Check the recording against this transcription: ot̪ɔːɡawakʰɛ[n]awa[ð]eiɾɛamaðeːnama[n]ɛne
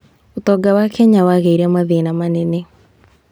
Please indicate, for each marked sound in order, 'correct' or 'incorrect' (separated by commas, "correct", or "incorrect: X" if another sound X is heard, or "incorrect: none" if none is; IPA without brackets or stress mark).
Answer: incorrect: ɲ, incorrect: ɣ, correct